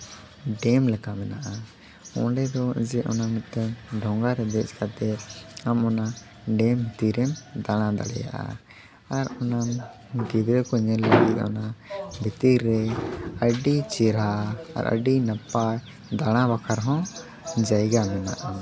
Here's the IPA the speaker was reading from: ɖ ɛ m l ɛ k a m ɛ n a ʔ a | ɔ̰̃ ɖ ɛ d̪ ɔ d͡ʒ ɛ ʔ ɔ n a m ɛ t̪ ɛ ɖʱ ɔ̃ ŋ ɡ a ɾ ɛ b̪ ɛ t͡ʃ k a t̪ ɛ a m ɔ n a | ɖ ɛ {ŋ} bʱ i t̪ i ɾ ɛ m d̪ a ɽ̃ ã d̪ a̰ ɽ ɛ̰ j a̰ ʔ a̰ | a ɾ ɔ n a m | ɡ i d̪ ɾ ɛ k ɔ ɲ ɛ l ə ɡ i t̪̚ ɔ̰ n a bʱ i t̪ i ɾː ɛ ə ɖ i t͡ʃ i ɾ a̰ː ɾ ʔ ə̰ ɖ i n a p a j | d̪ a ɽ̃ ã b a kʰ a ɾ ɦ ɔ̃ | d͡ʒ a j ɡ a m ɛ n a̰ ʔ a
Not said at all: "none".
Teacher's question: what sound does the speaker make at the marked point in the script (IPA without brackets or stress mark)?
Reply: m